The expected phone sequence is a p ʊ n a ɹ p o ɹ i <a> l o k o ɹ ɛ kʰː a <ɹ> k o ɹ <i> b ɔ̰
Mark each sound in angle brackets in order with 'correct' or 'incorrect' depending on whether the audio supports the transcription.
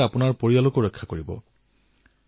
correct, incorrect: none, correct

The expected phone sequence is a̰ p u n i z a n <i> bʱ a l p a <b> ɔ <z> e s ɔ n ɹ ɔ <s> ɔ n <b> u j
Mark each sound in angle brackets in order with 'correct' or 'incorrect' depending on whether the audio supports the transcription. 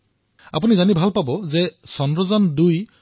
correct, correct, correct, incorrect: z, incorrect: d

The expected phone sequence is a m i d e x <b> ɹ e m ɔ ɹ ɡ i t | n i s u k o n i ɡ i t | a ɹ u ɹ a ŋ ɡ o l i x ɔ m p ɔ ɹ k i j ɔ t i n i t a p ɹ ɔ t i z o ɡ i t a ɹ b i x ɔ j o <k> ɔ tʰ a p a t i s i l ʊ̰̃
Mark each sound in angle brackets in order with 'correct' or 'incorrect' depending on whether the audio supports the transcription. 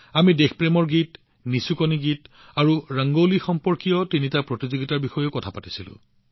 incorrect: p, correct

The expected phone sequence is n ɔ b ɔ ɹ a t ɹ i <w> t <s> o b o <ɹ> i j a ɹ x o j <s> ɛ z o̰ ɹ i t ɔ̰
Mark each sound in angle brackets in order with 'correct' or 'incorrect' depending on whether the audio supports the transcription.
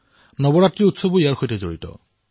incorrect: u, correct, incorrect: none, incorrect: t

